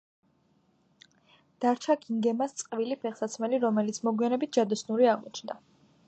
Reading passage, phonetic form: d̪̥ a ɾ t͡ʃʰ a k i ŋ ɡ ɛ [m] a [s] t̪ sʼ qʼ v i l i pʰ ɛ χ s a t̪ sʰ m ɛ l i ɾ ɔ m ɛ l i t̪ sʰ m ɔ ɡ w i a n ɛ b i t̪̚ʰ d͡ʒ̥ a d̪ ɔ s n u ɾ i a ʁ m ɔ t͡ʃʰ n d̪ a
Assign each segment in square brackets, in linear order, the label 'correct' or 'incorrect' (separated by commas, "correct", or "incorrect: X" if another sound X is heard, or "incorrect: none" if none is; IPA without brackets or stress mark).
correct, correct